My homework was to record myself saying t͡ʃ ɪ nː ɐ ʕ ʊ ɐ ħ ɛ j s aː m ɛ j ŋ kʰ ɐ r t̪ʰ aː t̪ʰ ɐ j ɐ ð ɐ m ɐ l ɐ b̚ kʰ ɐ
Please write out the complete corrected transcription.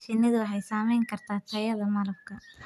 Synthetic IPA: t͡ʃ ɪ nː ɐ ð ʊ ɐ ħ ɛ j s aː m ɛ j ŋ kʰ ɐ r t̪ʰ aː t̪ʰ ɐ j ɐ ð ɐ m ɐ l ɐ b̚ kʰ ɐ